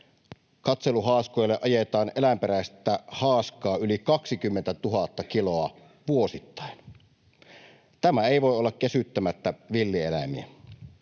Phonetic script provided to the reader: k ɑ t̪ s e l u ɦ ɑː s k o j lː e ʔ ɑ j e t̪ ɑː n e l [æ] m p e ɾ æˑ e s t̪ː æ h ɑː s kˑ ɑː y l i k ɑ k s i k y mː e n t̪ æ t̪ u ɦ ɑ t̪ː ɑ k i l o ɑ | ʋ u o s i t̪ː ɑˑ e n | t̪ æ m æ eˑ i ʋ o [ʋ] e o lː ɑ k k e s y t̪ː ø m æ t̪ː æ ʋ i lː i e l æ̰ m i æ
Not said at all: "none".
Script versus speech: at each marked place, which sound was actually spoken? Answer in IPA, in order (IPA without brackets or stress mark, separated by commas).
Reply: æ, none